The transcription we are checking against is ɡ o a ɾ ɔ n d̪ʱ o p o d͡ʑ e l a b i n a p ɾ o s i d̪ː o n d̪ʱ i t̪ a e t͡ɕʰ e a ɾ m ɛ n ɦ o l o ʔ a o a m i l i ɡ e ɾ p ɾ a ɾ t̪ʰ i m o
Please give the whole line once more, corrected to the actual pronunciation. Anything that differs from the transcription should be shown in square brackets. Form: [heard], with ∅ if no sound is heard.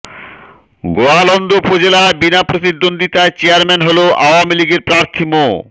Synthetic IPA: ɡ o a [l] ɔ n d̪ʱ o p o d͡ʑ e l a b i n a p ɾ o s i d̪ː o n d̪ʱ i t̪ a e [t͡ɕ] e a ɾ m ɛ n ɦ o l o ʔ a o a m i l i ɡ e ɾ p ɾ a ɾ t̪ʰ i m o